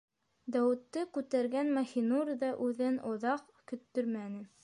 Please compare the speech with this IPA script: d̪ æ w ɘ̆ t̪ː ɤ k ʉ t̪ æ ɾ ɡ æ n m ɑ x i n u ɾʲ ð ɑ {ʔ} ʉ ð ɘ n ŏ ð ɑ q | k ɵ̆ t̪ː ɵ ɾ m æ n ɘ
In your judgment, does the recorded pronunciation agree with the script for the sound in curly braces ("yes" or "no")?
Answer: yes